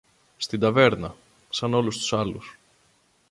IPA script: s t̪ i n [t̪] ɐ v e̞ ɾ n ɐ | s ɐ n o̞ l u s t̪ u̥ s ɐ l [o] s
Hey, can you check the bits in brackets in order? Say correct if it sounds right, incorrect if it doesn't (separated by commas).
incorrect, incorrect